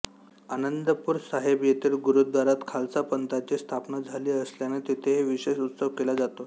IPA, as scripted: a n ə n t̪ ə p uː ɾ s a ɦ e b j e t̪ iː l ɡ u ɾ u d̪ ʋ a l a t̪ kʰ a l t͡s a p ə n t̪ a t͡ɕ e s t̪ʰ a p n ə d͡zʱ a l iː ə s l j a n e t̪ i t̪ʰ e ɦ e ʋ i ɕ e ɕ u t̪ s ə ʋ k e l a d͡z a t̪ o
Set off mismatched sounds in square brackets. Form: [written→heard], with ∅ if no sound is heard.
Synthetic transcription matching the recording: a n ə n [t̪→d̪] ə p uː ɾ s a ɦ e b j e t̪ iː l ɡ u ɾ u d̪ ʋ a [l→ɾ] a t̪ kʰ a l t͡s a p ə n t̪ a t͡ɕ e s t̪ʰ a p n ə d͡zʱ a l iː ə s l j a n e t̪ i t̪ʰ e ɦ e ʋ i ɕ e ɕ u t̪ s ə ʋ k e l a d͡z a t̪ o

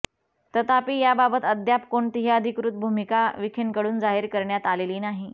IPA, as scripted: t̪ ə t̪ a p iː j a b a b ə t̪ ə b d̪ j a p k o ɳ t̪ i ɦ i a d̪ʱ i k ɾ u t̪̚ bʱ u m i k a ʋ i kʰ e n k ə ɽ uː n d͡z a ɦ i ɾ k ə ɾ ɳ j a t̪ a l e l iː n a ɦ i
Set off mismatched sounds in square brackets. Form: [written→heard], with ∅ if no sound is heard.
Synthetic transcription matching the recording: t̪ ə t̪ a p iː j a b a b ə t̪ ə [b→∅] d̪ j a p k o ɳ t̪ i ɦ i [a→ə] d̪ʱ i k ɾ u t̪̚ bʱ u m i k a ʋ i kʰ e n k ə ɽ uː n d͡z a ɦ i ɾ k ə ɾ ɳ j a t̪ a l e l iː n a ɦ i

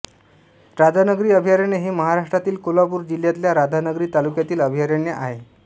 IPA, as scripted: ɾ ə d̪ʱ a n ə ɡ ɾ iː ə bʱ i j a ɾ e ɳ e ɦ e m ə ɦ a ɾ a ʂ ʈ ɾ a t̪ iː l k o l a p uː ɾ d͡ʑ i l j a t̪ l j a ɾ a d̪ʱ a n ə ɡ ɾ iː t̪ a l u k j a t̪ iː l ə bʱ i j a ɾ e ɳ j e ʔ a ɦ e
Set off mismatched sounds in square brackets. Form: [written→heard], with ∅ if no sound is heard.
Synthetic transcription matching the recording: ɾ [ə→a] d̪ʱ a n ə ɡ ɾ iː ə bʱ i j a ɾ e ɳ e ɦ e m ə ɦ a ɾ a ʂ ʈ ɾ a t̪ iː l k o l a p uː ɾ d͡ʑ i l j a t̪ l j a ɾ a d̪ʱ a n ə ɡ ɾ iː t̪ a l u k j a t̪ iː l ə bʱ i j a ɾ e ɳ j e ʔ a ɦ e

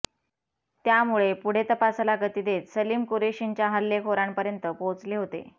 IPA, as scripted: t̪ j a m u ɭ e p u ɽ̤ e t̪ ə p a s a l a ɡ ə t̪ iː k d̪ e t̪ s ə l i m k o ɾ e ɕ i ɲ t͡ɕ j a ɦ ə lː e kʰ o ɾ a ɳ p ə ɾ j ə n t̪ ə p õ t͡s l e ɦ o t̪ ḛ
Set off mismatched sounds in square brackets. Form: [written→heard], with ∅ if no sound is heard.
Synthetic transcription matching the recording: t̪ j a m u ɭ e p u ɽ̤ e t̪ ə p a s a l a ɡ ə t̪ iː [k→∅] d̪ e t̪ s ə l i m k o ɾ e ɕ i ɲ t͡ɕ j a ɦ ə lː e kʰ o ɾ a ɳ p ə ɾ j ə n t̪ ə p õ t͡s l e ɦ o t̪ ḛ

